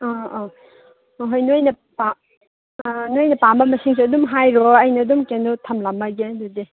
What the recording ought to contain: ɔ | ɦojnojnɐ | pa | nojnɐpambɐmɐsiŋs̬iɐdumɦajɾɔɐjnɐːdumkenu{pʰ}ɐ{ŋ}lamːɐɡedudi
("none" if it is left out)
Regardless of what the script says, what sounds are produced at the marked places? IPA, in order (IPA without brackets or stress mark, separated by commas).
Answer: tʰ, m